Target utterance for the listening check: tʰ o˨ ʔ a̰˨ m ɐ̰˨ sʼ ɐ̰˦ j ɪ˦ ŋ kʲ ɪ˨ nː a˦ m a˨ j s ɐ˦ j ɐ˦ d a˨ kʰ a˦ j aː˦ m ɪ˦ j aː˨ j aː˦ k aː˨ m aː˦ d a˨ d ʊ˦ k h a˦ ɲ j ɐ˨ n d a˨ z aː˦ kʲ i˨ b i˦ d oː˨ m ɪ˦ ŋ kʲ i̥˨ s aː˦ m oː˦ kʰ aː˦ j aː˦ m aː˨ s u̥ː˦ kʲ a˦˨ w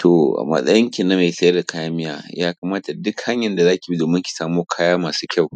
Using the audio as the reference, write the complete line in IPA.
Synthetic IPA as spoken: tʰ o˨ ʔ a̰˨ m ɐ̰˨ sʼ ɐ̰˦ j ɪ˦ ŋ kʲ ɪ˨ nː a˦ m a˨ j s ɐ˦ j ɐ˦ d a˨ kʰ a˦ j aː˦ m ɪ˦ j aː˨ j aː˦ k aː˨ m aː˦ t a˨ d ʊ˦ k h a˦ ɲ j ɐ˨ n d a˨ z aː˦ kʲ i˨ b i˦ d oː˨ m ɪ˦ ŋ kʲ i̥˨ s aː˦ m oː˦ kʰ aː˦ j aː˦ m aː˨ s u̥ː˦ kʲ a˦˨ w

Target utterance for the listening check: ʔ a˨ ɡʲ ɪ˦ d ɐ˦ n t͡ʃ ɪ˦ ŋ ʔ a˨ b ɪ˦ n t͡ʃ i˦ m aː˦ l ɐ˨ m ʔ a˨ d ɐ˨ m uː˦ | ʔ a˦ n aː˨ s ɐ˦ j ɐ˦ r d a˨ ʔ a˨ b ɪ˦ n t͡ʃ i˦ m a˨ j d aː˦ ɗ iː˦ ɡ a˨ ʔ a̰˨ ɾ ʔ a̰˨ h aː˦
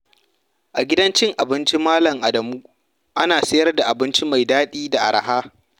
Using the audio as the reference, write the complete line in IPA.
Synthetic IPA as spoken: ʔ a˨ ɡʲ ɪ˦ d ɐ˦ n t͡ʃ ɪ˦ ŋ ʔ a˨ b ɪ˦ n t͡ʃ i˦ m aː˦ l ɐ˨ ŋ ʔ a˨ d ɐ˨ m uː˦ | ʔ a˦ n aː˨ s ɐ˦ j ɐ˦ r d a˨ ʔ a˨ b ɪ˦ n t͡ʃ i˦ m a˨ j d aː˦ ɗ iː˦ d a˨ ʔ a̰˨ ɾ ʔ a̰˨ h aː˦

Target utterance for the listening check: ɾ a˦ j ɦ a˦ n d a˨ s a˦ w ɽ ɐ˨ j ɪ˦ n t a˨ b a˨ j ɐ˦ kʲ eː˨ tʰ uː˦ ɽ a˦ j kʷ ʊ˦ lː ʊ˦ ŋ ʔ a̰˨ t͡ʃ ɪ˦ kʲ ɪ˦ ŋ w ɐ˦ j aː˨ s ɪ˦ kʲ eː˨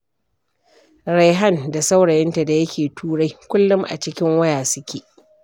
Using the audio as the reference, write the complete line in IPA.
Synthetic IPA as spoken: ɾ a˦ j ɦ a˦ n d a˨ s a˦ w ɽ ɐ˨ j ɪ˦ n t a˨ d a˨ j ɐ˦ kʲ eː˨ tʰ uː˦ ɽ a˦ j kʷ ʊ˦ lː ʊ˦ m ʔ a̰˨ t͡ʃ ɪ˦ kʲ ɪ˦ ŋ w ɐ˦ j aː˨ s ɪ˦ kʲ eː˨

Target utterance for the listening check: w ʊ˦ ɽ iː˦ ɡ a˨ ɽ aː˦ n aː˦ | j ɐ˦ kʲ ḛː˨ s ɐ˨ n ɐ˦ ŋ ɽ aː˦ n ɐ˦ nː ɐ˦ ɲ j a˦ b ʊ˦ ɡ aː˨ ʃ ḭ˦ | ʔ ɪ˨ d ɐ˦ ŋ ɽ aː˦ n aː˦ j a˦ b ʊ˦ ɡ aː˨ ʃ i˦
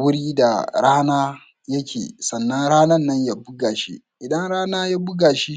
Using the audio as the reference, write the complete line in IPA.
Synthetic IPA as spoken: w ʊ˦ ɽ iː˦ d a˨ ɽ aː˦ n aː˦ | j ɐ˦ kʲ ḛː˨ s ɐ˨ nː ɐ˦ ŋ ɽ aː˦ n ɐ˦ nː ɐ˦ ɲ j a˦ b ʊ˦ ɡ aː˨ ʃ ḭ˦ | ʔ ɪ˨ d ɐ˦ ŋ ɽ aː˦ n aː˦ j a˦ b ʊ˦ ɡ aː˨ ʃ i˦

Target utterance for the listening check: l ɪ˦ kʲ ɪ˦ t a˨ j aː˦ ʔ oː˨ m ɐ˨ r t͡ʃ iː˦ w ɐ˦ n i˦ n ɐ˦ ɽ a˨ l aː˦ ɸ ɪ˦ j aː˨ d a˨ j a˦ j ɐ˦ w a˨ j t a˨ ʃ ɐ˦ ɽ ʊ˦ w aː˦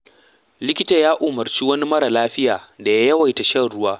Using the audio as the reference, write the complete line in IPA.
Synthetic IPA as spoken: l ɪ˦ kʲ ɪ˦ t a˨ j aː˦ ʔ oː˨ m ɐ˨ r t͡ʃ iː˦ w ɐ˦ n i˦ m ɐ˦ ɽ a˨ l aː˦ ɸ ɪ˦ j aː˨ d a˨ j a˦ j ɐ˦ w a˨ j t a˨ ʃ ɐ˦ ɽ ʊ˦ w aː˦

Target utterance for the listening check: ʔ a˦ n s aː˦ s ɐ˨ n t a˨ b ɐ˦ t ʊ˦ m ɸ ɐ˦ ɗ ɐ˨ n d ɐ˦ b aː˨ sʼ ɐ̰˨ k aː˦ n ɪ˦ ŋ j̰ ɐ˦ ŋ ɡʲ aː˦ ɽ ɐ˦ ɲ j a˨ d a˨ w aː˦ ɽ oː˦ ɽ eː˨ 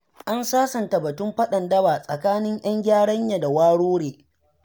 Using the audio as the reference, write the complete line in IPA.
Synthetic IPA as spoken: ʔ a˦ n s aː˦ s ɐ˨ n t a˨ b ɐ˨ t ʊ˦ m ɸ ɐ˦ ɗ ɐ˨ n d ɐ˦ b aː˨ sʼ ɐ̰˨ k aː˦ n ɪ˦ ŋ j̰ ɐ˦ ŋ ɡʲ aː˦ ɽ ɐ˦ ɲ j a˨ d a˨ w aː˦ ɽ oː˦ ɽ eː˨

